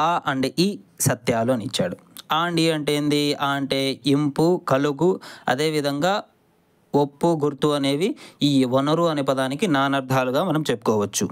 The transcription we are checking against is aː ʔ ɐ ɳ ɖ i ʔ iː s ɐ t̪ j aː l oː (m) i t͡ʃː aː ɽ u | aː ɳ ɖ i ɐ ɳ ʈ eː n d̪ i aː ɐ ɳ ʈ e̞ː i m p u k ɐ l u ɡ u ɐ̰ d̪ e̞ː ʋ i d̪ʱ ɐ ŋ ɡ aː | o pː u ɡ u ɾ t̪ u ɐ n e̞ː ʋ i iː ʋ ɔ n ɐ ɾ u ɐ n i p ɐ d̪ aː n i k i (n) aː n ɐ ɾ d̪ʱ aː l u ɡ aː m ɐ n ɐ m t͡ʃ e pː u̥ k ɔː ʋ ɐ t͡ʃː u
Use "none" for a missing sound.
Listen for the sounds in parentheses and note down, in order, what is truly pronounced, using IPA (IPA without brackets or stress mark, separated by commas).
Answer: n, n